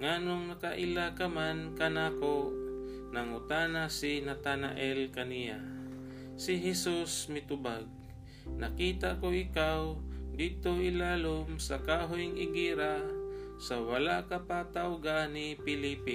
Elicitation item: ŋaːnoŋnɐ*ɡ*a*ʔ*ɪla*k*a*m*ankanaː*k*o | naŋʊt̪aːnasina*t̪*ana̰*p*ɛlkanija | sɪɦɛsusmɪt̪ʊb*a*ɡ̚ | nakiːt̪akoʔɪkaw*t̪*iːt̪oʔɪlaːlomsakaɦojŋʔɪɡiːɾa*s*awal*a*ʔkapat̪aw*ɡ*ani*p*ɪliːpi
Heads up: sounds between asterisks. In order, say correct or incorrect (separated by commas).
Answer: incorrect, correct, correct, correct, correct, correct, incorrect, correct, incorrect, correct, correct, correct, correct